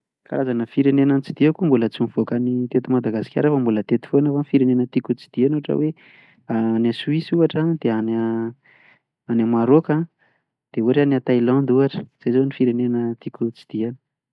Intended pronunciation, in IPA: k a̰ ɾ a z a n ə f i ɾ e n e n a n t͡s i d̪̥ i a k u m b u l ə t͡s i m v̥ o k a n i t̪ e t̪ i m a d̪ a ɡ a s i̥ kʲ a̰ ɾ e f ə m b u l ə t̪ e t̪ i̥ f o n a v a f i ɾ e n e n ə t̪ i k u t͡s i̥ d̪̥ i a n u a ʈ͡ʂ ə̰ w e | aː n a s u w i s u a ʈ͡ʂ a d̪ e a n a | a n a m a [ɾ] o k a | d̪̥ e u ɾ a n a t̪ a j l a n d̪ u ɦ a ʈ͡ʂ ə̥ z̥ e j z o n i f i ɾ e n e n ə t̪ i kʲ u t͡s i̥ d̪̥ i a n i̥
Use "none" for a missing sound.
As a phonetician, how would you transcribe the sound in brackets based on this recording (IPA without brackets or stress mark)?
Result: ɾ